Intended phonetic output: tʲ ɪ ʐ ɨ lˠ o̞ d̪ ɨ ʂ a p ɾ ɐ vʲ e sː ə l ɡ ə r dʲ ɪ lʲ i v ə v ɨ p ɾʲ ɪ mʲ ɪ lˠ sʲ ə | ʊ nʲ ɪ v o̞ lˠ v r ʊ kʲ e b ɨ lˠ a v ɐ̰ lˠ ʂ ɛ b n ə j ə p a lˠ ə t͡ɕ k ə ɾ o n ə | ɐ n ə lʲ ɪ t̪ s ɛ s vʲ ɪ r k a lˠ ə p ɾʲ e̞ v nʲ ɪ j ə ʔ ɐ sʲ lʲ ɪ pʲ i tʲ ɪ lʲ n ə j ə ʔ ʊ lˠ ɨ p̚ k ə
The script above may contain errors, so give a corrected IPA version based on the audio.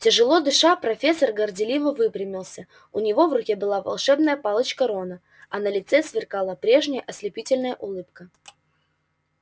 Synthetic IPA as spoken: tʲ ɪ ʐ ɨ lˠ o̞ d̪ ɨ ʂ a p ɾ ɐ fʲ e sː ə r ɡ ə r dʲ ɪ lʲ i v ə v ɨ p ɾʲ ɪ mʲ ɪ lˠ sʲ ə | ʊ nʲ ɪ v o̞ v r ʊ kʲ e b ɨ lˠ a v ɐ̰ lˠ ʂ ɛ b n ə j ə p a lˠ ə t͡ɕ k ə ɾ o n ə | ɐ n ə lʲ ɪ t̪ s ɛ s vʲ ɪ r k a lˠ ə p ɾʲ e̞ ʐ nʲ ɪ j ə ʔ ɐ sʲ lʲ ɪ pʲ i tʲ ɪ lʲ n ə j ə ʔ ʊ lˠ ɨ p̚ k ə